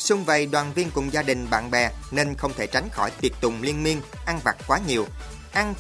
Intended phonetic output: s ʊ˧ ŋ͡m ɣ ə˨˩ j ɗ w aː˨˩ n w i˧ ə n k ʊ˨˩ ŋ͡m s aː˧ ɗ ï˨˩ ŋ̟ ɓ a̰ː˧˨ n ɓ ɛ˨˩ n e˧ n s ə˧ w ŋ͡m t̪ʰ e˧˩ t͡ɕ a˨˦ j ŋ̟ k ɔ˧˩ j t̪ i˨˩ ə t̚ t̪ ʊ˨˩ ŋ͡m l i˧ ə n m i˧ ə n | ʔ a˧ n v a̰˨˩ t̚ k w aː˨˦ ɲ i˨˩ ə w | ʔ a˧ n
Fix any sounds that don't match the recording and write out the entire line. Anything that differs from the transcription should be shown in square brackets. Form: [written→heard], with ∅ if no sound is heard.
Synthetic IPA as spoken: s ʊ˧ ŋ͡m [ɣ→v] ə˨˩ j ɗ w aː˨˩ n [w→v] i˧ ə n k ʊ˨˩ ŋ͡m [s→z] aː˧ ɗ ï˨˩ ŋ̟ ɓ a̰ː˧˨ n ɓ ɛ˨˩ n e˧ n [s→x] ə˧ w ŋ͡m t̪ʰ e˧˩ t͡ɕ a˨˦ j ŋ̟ [k→x] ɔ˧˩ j t̪ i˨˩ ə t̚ t̪ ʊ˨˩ ŋ͡m l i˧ ə n m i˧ ə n | ʔ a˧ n v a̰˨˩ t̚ k w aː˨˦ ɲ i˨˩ ə w | ʔ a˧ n